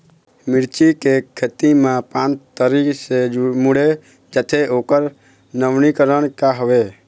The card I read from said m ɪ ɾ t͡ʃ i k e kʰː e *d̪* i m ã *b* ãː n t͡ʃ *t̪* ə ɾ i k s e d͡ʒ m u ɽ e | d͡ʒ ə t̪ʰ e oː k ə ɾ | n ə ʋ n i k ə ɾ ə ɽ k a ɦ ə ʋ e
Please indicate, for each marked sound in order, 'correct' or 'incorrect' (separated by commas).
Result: incorrect, incorrect, correct